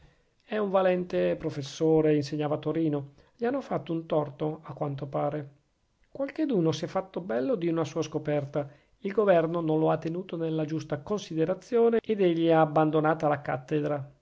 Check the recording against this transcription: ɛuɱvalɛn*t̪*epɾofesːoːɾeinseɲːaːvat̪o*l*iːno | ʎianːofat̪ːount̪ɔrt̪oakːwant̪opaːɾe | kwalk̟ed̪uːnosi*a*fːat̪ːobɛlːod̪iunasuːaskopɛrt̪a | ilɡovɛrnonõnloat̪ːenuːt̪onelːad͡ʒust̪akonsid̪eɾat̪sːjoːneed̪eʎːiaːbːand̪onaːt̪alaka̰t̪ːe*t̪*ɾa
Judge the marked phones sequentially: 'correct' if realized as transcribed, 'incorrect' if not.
correct, incorrect, incorrect, incorrect

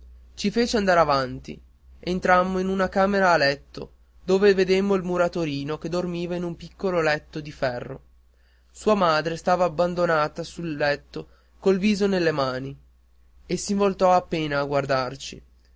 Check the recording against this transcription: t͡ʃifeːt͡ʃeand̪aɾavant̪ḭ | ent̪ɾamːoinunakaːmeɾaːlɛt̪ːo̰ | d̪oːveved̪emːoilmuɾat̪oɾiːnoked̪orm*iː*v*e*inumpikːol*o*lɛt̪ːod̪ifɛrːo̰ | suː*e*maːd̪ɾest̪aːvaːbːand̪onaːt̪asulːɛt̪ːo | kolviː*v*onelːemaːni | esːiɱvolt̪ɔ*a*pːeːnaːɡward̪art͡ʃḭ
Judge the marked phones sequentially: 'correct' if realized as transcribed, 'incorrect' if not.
correct, incorrect, correct, incorrect, incorrect, correct

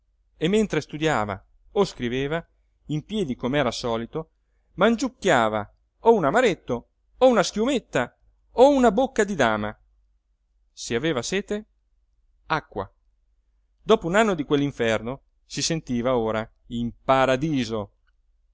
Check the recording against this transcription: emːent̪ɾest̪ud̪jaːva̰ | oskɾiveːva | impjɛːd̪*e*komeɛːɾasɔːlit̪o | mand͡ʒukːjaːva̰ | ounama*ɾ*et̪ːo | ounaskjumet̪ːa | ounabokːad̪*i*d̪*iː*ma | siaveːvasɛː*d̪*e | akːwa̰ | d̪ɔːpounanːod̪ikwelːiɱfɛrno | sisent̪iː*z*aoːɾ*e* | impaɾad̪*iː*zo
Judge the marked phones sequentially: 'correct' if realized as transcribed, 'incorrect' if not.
incorrect, correct, correct, incorrect, incorrect, incorrect, incorrect, correct

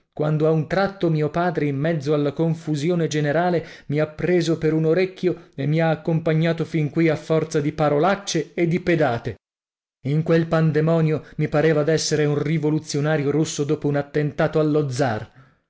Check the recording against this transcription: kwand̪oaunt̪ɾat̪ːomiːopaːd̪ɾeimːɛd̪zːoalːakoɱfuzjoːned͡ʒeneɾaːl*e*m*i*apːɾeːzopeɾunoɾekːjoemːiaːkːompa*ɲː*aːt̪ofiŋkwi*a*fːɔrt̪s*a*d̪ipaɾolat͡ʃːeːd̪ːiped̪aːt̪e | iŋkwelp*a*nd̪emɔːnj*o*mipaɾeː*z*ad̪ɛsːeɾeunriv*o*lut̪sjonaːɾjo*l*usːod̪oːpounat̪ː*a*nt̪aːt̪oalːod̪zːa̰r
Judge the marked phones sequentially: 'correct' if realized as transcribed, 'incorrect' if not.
correct, correct, correct, correct, correct, correct, correct, incorrect, correct, incorrect, incorrect

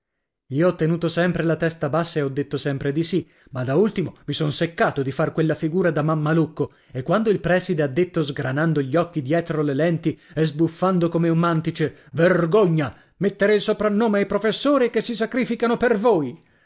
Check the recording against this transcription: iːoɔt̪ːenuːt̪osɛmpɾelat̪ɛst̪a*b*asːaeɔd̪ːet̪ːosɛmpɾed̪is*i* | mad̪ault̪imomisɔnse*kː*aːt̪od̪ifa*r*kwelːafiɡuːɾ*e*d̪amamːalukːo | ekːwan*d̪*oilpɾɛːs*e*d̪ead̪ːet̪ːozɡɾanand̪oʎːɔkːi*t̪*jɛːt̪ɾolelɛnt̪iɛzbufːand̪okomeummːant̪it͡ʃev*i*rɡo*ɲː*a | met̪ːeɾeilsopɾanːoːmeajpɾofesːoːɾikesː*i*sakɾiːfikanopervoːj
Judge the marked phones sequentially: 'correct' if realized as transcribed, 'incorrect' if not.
correct, correct, correct, correct, incorrect, correct, incorrect, incorrect, incorrect, correct, correct

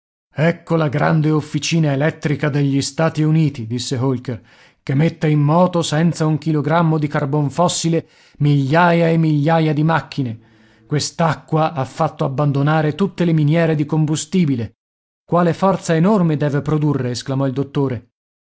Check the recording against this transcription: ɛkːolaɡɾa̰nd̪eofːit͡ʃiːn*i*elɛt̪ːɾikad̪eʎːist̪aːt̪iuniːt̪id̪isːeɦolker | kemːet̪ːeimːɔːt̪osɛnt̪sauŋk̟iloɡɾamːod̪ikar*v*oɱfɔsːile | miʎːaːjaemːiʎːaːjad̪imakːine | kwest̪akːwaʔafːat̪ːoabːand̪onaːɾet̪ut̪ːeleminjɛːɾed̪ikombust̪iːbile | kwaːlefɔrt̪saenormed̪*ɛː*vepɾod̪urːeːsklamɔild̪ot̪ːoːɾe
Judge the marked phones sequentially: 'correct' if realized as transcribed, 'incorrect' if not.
incorrect, incorrect, correct

